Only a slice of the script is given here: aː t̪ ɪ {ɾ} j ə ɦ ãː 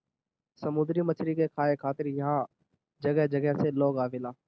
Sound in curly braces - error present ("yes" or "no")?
no